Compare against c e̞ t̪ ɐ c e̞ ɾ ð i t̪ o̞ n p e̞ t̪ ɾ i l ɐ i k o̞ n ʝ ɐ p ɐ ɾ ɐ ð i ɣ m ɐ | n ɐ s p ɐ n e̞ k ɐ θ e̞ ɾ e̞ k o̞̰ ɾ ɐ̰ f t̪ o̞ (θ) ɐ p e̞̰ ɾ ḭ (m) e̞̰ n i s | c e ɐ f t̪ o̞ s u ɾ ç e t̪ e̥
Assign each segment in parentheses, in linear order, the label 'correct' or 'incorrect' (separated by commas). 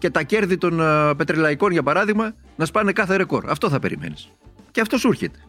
correct, correct